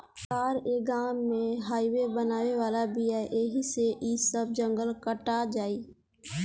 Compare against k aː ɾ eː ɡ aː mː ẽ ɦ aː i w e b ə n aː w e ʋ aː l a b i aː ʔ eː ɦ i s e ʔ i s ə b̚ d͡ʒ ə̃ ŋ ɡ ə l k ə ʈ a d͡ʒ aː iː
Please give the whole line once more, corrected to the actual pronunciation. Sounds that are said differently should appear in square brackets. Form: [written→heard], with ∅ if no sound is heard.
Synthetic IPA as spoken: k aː ɾ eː ɡ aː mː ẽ ɦ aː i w e b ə n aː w e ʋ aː l a b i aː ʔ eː ɦ i s e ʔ i s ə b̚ d͡ʒ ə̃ ŋ ɡ ə l k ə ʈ a d͡ʒ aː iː